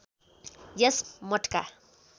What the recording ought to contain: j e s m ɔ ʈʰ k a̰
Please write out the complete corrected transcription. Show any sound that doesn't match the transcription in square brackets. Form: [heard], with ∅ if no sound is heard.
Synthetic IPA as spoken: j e s m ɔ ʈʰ k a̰